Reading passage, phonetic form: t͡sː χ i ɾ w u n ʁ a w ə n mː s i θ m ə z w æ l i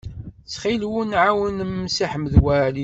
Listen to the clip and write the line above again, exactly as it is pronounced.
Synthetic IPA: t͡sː χ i l w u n ʕ a w ə n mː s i ħ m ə ð w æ l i